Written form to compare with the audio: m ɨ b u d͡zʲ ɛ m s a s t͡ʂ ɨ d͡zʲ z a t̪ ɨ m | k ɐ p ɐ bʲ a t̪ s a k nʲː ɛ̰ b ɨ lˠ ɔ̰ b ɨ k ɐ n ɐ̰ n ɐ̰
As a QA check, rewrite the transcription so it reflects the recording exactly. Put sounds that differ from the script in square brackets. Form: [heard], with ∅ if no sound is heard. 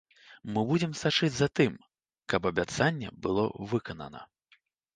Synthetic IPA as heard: m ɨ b u d͡zʲ ɛ m s a [∅] t͡ʂ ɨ d͡zʲ z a t̪ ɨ m | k ɐ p ɐ bʲ a t̪ s a [∅] nʲː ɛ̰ b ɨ lˠ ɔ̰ [v] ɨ k ɐ n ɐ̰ n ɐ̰